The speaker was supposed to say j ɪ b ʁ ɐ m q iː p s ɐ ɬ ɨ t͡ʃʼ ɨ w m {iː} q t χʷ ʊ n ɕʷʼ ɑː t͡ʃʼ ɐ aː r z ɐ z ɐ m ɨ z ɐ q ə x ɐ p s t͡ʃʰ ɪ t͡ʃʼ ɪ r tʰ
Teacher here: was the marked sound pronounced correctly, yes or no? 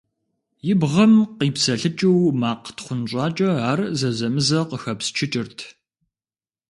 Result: no